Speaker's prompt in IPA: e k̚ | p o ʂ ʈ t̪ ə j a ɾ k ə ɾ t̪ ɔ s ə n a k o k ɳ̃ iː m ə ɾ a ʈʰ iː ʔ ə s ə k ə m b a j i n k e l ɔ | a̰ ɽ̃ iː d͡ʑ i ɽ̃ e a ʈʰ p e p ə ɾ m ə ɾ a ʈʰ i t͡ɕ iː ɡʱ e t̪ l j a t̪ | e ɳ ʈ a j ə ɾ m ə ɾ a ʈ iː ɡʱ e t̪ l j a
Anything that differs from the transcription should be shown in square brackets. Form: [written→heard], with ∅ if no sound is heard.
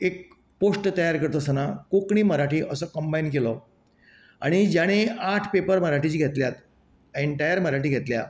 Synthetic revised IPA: e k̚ | p o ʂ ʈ t̪ ə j a ɾ k ə ɾ t̪ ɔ s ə n a k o k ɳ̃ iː m ə ɾ a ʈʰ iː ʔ ə s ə k ə m b a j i n k e l ɔ | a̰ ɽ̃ [iː→i] d͡ʑ [i→a] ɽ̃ e a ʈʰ p e p ə ɾ m ə ɾ a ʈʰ i t͡ɕ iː ɡʱ e t̪ l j a t̪ | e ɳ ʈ a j ə ɾ m ə ɾ a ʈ iː ɡʱ e t̪ l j a